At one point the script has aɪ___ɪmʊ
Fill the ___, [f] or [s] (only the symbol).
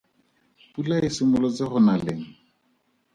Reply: s